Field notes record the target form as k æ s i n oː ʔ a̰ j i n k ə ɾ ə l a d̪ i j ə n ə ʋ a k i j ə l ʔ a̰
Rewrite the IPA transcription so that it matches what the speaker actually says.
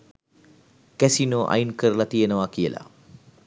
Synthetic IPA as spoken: k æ s i n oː ʔ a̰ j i n k ə ɾ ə l a t̪ i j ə n ə ʋ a k i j ə l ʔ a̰